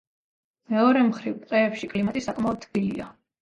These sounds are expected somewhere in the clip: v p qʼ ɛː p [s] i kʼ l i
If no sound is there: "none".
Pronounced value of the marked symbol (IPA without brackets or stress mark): ʃ